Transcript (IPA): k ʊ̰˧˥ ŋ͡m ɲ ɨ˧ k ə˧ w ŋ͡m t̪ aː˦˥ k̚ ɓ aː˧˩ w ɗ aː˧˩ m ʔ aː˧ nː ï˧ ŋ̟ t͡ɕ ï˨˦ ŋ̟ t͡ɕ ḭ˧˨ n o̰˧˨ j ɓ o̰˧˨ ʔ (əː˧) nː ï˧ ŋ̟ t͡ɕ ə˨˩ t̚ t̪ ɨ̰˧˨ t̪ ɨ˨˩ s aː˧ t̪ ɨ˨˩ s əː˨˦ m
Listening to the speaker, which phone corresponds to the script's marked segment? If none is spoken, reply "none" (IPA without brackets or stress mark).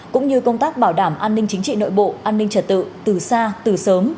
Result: aː˧